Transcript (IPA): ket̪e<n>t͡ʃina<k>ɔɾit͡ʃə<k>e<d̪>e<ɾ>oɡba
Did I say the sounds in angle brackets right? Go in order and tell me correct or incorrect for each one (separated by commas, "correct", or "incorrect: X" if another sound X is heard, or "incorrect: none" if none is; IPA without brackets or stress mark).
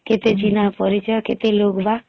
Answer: incorrect: none, incorrect: p, correct, incorrect: t̪, incorrect: l